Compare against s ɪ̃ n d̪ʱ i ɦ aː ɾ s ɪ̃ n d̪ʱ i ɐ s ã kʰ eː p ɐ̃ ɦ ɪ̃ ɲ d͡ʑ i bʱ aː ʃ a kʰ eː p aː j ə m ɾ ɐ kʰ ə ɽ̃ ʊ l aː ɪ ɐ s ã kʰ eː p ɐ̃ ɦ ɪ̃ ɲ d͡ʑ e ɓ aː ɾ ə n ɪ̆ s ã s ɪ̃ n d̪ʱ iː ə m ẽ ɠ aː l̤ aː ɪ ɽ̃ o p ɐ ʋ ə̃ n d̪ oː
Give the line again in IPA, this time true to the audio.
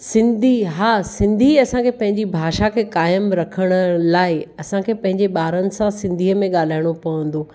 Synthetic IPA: s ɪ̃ n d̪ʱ i ɦ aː s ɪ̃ n d̪ʱ i ɐ s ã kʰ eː p ɐ̃ ɦ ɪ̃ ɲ d͡ʑ i bʱ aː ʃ a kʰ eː k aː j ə m ɾ ɐ kʰ ə ɽ̃ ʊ l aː ɪ ɐ s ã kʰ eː p ɐ̃ ɦ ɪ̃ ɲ d͡ʑ e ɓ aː ɾ ə n ɪ̆ s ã s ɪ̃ n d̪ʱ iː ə m ẽ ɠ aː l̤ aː ɪ ɽ̃ o p ɐ ʋ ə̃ n d̪ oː